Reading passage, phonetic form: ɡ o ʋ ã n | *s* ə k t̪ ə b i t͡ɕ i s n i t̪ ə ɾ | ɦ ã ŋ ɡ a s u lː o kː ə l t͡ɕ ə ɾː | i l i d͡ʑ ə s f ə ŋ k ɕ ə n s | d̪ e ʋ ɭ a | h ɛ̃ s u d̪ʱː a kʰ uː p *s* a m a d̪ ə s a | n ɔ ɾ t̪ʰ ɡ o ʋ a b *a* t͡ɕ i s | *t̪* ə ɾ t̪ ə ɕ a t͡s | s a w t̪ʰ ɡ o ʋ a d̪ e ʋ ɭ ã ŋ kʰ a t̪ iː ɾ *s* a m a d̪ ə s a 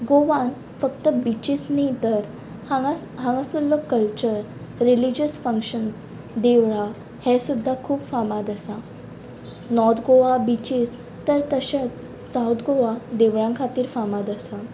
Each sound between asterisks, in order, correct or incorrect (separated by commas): incorrect, incorrect, incorrect, correct, incorrect